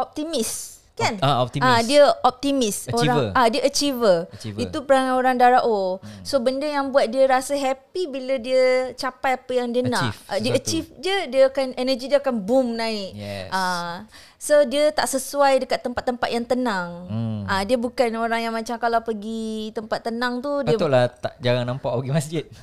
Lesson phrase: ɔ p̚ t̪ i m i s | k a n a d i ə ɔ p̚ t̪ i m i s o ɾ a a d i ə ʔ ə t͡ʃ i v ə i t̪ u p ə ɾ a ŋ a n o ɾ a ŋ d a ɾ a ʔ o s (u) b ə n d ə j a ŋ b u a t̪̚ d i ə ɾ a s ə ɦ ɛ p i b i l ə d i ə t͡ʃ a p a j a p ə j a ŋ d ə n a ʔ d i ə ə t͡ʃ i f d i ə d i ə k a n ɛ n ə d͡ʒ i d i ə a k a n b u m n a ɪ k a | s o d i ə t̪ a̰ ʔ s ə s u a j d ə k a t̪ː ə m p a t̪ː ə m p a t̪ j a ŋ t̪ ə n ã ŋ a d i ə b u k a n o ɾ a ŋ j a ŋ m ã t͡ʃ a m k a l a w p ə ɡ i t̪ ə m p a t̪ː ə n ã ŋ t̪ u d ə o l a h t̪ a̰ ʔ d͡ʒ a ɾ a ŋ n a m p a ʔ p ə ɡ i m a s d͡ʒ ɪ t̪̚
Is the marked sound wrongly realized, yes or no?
yes